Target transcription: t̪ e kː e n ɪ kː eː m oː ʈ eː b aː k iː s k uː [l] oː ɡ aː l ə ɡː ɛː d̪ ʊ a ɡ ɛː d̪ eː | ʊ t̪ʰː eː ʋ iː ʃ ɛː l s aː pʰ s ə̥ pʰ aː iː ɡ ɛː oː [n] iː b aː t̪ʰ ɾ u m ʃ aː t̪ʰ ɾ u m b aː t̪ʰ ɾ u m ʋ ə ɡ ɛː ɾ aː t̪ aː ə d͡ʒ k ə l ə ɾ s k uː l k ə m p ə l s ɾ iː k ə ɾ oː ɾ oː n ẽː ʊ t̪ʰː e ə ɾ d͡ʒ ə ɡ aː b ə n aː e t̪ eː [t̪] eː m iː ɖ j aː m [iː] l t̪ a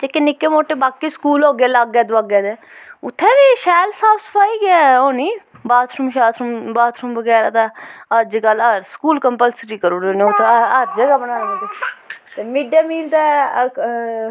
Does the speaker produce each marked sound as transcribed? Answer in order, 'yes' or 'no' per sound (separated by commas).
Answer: yes, yes, yes, yes